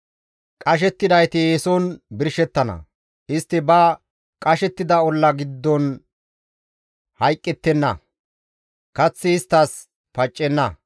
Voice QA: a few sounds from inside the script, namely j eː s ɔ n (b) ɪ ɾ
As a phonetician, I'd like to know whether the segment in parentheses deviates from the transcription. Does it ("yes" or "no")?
no